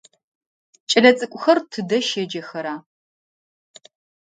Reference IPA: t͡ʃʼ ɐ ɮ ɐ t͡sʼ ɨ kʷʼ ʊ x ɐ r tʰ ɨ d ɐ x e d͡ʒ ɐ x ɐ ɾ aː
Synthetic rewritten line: t͡ʃʼ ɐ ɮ ɐ t͡sʼ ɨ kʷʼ ʊ x ɐ r tʰ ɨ d ɐ ʃ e d͡ʒ ɐ x ɐ ɾ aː